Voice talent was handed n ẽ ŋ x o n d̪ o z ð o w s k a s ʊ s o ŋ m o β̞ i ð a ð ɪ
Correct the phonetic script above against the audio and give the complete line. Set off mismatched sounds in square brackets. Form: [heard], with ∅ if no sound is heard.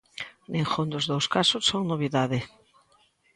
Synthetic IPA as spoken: n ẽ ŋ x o n d̪ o z ð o w s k a s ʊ s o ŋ [n] o β̞ i ð a ð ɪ